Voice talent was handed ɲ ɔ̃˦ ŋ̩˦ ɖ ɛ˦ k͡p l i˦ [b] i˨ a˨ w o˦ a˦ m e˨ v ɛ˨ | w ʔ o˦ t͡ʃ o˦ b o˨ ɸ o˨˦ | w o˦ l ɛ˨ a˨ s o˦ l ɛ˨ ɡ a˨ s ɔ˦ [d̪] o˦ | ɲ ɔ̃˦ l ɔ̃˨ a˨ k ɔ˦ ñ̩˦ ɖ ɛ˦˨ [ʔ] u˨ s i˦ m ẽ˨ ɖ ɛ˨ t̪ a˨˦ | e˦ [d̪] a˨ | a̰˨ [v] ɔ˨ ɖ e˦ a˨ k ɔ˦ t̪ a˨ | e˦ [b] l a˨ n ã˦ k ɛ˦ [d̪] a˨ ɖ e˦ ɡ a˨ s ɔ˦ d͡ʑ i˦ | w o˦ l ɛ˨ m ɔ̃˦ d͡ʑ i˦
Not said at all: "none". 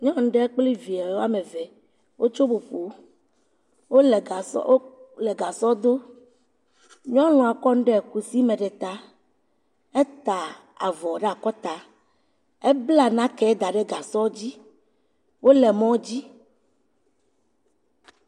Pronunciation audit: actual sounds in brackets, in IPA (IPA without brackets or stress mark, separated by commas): v, d̪, k, t̪, v, b, d̪